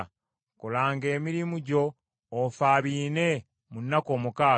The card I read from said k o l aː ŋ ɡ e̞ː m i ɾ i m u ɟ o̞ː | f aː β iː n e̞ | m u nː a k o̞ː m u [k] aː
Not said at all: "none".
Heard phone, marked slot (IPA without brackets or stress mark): k